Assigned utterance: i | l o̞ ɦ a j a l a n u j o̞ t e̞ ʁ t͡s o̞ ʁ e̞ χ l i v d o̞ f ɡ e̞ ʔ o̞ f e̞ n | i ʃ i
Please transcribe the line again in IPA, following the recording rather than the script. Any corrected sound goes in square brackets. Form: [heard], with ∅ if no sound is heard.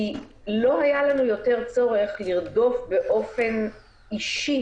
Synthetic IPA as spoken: i | l o̞ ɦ a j a l a n u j o̞ t e̞ ʁ t͡s o̞ ʁ e̞ χ l i [ʁ] d o̞ f [b] e̞ ʔ o̞ f e̞ n | i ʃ i